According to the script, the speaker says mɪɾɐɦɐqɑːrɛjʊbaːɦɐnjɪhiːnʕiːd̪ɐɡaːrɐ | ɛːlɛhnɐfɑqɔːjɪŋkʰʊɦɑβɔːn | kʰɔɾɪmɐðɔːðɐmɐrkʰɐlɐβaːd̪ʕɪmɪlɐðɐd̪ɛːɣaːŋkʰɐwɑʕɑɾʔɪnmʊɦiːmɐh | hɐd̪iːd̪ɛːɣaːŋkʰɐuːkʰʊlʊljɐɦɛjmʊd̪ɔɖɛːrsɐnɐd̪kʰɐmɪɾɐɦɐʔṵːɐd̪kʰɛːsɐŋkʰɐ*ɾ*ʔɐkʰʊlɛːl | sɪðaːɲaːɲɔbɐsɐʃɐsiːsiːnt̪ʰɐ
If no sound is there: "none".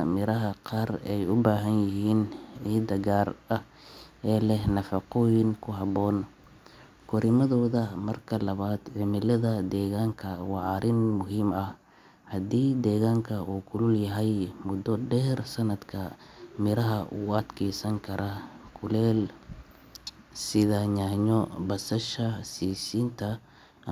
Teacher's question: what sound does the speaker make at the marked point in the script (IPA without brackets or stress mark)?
ɾ